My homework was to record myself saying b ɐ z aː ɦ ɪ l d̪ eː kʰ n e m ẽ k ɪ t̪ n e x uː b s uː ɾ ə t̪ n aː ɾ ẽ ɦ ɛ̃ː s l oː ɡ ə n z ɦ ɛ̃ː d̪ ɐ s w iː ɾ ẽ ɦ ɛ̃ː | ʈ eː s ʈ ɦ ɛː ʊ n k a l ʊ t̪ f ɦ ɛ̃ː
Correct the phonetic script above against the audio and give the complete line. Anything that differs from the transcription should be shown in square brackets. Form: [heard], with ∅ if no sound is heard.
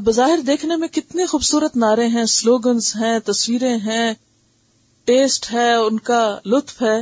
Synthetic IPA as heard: b ɐ z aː ɦ ɪ [ɾ] d̪ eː kʰ n e m ẽ k ɪ t̪ n e x uː b s uː ɾ ə t̪ n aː ɾ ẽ ɦ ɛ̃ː s l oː ɡ ə n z ɦ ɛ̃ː [t̪] ɐ s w iː ɾ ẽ ɦ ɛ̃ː | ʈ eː s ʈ ɦ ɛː ʊ n k a l ʊ t̪ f ɦ [ɛː]